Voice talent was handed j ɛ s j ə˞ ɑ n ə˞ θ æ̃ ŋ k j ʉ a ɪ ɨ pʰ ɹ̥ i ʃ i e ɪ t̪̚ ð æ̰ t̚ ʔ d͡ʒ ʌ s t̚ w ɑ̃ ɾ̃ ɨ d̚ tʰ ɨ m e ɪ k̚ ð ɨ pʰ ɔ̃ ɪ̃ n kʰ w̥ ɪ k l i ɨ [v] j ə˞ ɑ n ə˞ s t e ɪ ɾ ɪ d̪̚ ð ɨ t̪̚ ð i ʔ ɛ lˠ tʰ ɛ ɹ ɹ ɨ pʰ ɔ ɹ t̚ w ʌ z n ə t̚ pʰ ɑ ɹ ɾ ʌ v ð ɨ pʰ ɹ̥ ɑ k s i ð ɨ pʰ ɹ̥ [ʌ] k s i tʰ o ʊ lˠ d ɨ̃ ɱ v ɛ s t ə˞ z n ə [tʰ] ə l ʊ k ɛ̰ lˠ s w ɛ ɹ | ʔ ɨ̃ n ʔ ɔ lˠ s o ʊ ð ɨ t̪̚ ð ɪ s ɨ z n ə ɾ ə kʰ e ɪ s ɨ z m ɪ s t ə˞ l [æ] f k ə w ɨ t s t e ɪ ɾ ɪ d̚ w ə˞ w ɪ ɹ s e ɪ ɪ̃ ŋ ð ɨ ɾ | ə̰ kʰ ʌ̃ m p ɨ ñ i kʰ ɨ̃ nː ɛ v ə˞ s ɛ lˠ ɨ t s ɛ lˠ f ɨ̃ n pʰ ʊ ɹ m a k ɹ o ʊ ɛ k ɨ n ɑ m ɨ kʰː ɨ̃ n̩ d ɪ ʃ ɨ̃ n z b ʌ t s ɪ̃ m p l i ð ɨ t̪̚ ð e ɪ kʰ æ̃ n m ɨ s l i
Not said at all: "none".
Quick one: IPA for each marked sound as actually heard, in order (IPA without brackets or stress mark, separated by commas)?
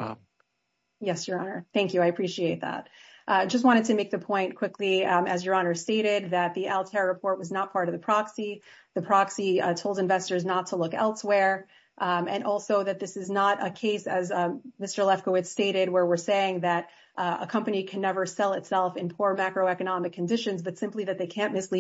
z, ɑ, tʰ, ɛ